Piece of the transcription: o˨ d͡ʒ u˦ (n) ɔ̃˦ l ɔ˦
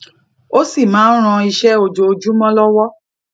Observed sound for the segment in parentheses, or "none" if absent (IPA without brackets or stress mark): m